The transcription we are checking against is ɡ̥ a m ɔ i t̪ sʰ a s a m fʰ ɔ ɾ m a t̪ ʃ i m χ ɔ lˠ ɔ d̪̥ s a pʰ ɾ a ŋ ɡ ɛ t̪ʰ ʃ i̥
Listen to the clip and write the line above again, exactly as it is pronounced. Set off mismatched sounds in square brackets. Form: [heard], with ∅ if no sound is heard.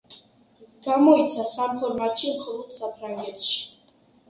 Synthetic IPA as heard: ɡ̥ a m ɔ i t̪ sʰ a s a m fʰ ɔ ɾ m a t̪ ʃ i m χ ɔ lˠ ɔ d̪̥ s a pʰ ɾ a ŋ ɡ ɛ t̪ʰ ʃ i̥